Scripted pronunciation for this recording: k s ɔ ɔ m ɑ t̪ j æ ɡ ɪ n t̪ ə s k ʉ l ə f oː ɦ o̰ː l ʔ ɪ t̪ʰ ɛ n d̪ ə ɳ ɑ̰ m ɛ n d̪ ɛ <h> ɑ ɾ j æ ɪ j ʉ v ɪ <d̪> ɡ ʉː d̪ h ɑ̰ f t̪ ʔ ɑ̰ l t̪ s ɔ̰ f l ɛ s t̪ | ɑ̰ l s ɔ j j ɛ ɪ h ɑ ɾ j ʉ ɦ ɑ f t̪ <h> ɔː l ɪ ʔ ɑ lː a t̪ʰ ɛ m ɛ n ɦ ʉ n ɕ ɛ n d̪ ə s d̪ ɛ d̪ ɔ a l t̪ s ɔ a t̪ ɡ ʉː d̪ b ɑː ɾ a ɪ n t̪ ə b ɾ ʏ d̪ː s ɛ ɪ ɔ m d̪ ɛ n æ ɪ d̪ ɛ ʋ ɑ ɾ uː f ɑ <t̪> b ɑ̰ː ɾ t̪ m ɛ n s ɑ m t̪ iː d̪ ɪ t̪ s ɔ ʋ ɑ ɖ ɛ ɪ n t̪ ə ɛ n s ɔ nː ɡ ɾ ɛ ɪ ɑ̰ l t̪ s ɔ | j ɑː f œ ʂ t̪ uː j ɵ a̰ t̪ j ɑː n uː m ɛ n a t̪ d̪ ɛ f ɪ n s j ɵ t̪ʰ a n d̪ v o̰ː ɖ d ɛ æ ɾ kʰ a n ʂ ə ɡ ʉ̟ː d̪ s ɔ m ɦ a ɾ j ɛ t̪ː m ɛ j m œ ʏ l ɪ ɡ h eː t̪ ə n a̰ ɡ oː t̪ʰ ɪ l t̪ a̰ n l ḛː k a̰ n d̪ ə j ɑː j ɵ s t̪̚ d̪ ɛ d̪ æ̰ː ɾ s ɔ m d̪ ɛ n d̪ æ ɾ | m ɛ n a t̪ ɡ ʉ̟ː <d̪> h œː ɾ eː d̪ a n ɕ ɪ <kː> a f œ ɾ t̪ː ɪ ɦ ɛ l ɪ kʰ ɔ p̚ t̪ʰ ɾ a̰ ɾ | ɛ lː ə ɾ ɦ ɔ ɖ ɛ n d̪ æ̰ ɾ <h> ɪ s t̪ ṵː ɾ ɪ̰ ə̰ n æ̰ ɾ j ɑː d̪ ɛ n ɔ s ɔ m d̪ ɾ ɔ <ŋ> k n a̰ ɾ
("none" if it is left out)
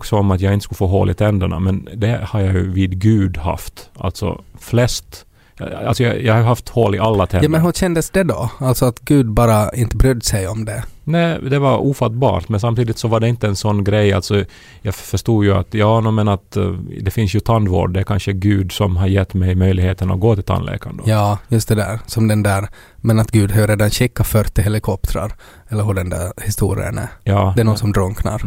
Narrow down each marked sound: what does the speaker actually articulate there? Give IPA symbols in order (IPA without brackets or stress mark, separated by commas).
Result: h, d̪, h, t̪, d̪, kː, h, ŋ